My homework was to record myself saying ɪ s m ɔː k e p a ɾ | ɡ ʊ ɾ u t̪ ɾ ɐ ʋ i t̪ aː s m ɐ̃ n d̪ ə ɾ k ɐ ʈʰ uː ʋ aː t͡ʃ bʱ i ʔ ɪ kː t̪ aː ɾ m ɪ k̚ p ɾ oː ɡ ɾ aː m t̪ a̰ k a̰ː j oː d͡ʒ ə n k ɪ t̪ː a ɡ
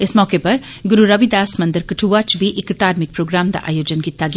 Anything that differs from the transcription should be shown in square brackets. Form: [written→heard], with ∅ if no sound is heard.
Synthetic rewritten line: ɪ s m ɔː k e p [a→ɐ] ɾ | ɡ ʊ ɾ u [t̪→∅] ɾ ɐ ʋ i [t̪→d̪] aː s m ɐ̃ n d̪ ə ɾ k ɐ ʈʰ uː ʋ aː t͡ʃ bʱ i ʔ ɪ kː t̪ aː ɾ m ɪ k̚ p ɾ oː ɡ ɾ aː m [t̪→d̪] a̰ [k→ʔ] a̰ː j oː d͡ʒ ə n k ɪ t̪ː a ɡ